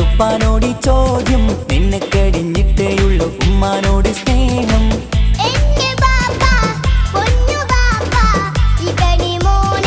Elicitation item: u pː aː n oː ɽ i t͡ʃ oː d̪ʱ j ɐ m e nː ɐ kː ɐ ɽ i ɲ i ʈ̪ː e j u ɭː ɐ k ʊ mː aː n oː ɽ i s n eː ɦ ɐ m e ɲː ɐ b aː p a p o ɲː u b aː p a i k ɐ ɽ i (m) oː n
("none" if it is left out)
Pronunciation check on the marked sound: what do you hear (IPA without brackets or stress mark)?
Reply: m